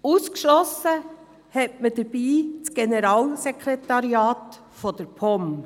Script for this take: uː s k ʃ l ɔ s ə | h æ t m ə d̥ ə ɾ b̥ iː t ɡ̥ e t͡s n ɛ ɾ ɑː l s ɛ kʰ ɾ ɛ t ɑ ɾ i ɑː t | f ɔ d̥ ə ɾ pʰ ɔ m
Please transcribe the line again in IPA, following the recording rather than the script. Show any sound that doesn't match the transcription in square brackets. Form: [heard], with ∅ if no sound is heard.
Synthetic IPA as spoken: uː s k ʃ l ɔ s ə | h [ɛ] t m ə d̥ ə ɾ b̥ iː [t͡s] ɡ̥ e [∅] n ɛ ɾ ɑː l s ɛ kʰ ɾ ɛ t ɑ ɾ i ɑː t | f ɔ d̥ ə ɾ pʰ ɔ m